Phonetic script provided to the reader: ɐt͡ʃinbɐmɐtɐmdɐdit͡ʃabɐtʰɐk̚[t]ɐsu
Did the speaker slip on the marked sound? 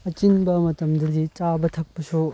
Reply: yes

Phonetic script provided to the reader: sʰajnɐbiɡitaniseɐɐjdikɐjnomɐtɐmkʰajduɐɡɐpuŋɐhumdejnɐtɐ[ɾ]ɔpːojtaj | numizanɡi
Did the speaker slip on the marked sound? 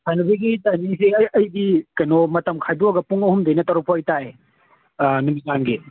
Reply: no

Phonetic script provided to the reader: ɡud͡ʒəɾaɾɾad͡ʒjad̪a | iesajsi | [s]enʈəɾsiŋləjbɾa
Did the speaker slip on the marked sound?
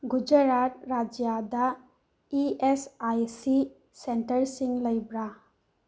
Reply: no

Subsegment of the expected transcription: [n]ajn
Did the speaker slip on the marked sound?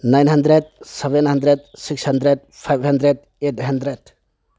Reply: no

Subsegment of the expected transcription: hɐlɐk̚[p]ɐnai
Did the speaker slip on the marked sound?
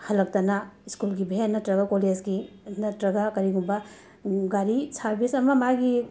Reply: yes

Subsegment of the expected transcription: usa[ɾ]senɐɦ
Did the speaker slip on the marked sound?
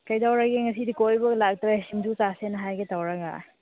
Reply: yes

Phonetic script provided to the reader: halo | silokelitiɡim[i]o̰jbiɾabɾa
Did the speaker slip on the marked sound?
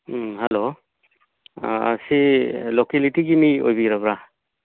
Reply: no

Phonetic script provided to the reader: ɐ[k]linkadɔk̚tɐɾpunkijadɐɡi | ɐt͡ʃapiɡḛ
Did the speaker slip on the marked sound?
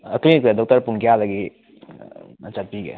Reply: no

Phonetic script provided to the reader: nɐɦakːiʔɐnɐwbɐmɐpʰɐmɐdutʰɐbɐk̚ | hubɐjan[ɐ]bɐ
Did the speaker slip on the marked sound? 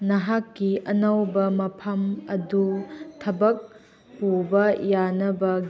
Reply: no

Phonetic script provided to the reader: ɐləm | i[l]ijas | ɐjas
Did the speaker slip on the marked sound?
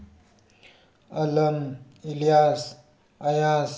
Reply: no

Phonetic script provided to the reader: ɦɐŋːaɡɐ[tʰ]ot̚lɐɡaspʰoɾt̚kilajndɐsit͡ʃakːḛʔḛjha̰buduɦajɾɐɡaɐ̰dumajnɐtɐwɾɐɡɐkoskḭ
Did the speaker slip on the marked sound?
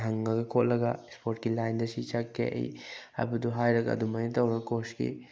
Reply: yes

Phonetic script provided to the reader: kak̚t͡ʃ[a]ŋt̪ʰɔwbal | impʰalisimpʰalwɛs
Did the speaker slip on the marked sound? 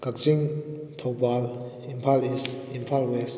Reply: yes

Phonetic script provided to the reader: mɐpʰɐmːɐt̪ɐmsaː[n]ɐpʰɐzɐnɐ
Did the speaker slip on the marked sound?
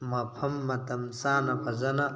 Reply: no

